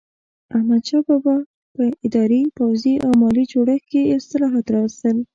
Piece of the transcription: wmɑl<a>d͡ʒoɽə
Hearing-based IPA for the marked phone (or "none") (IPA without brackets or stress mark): i